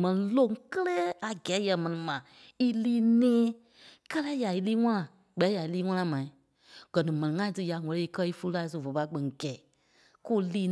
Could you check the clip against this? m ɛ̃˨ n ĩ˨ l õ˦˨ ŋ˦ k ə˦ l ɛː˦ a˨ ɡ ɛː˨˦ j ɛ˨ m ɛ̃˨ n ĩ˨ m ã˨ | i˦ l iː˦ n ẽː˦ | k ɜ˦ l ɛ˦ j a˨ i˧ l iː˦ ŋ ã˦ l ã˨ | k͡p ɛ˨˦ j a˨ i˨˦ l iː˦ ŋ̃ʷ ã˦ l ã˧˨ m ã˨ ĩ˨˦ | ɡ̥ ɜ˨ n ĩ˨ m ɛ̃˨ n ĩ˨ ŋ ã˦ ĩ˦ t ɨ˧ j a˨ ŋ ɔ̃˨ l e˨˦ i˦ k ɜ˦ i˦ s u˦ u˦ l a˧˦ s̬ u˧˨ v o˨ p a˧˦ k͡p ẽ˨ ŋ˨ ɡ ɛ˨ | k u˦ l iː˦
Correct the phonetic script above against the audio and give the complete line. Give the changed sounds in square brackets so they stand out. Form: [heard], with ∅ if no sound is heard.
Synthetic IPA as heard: m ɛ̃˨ n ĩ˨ l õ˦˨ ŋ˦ k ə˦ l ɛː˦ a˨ ɡ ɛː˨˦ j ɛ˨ m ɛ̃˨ n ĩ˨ m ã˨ | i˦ l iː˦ n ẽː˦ | k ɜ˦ l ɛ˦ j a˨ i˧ l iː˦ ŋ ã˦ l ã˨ | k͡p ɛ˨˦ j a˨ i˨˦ l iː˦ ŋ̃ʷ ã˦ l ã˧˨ m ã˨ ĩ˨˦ | ɡ̥ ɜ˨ n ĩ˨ m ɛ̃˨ n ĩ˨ ŋ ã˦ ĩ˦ t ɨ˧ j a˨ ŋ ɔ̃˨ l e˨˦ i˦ k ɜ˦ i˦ [f] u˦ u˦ l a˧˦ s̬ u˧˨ v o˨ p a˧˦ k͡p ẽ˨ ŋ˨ ɡ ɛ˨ | k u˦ l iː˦

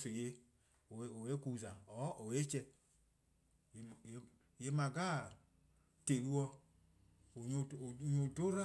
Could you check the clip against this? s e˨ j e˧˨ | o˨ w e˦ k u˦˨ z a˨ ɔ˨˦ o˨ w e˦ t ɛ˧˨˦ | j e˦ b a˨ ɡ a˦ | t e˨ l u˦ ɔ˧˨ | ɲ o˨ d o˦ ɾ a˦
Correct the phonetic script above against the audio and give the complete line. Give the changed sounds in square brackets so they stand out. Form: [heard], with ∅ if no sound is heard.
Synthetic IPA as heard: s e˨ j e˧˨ | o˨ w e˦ k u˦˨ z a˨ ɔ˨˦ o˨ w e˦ [t͡ʃ] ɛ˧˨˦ | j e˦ [m] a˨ ɡ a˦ | t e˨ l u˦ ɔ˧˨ | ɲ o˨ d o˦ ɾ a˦

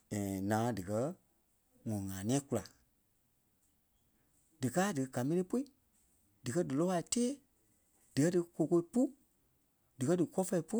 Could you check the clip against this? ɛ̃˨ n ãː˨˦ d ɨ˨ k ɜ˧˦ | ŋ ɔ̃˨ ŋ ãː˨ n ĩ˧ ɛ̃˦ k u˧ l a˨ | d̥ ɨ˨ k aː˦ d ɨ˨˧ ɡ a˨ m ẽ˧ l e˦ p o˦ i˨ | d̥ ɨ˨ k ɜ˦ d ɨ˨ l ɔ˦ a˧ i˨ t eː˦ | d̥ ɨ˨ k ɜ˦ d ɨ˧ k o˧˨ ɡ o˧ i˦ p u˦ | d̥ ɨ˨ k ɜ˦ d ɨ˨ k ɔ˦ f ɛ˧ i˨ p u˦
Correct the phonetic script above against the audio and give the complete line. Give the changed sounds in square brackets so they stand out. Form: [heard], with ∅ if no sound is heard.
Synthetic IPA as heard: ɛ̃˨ n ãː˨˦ d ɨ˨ k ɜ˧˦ | ŋ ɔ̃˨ ŋ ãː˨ n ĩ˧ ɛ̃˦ k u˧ l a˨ | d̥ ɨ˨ k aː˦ d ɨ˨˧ ɡ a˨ m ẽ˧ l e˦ p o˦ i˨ | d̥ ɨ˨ k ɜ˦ d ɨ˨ l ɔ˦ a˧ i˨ t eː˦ | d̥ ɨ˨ k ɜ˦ d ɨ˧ k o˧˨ [k] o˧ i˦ p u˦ | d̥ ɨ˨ k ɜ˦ d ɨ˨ k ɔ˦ f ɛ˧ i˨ p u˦

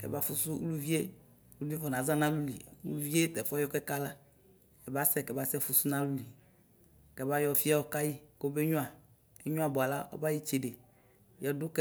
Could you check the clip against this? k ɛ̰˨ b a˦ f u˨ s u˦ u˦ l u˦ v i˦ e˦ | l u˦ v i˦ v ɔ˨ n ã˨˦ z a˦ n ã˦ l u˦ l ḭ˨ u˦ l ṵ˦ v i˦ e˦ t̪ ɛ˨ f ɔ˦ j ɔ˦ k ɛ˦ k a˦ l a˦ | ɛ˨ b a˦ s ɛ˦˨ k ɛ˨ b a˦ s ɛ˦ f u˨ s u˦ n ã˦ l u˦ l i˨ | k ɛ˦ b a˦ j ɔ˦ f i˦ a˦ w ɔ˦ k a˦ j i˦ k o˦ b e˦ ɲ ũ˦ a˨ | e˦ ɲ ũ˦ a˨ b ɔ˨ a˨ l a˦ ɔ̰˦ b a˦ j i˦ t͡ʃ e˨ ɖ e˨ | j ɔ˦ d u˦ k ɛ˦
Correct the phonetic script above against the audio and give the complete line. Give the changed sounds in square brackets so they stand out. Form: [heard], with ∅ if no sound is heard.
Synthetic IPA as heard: k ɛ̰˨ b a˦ f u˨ s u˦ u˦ l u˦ v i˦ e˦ | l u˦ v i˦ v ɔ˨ n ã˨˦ z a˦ n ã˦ l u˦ l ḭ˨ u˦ l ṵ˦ v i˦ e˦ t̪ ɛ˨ f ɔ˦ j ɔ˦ k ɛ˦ k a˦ l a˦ | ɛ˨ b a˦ s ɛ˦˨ k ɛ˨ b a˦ s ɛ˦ f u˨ s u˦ n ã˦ l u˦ l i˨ | k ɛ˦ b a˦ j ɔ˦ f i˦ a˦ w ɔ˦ k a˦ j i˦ k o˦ b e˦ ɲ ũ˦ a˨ | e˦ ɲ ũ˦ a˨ b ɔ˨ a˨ l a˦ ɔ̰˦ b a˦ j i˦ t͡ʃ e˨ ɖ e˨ | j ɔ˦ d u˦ k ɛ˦

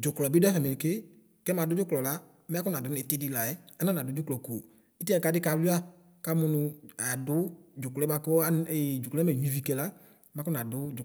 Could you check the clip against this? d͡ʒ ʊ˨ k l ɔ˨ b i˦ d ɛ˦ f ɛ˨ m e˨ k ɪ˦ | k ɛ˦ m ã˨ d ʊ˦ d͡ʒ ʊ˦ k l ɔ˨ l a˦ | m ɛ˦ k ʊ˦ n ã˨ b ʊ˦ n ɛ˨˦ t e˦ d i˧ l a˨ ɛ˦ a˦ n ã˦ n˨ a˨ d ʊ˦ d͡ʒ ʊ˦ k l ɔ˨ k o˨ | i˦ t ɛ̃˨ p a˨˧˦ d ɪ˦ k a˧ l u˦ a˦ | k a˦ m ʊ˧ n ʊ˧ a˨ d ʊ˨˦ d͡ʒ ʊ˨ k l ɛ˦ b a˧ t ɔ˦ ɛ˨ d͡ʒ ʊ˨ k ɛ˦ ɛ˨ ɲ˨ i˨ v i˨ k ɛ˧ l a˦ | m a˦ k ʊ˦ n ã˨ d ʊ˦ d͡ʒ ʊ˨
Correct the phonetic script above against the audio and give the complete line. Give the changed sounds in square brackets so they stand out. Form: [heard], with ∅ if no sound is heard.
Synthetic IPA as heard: d͡ʒ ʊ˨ k l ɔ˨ b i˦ d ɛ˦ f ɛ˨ m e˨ k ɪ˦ | k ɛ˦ m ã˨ d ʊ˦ d͡ʒ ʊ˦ k l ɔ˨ l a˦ | m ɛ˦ k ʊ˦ n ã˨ [d] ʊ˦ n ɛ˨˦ t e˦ d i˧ l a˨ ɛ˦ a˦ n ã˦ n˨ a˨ d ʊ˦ d͡ʒ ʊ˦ k l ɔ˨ k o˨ | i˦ t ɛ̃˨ [k] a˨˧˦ d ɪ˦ k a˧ l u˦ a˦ | k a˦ m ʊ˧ n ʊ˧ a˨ d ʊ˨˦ d͡ʒ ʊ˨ k l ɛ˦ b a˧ [k] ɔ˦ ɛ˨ d͡ʒ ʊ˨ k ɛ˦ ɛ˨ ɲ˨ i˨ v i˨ k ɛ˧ l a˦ | m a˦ k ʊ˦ n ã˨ d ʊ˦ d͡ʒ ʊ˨

